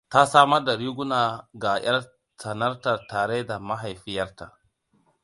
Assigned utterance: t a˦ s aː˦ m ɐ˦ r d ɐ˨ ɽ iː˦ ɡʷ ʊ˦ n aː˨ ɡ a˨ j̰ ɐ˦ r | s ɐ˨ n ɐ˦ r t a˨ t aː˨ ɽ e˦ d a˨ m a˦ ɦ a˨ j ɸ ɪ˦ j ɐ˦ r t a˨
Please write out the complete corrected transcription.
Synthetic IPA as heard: t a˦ s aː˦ m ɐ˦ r d a˨ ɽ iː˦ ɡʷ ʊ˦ n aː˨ ɡ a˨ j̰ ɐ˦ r | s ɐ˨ n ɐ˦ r t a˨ t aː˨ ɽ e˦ d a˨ m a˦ ɦ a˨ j ɸ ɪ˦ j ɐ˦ r t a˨